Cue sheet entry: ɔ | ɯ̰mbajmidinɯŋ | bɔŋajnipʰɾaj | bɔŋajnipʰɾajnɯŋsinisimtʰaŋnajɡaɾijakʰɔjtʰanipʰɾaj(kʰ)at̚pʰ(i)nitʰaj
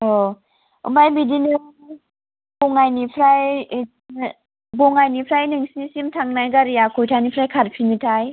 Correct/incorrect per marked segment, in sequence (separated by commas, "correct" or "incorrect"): correct, correct